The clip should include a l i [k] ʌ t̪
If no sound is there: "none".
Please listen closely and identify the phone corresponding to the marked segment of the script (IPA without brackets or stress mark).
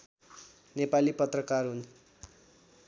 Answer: p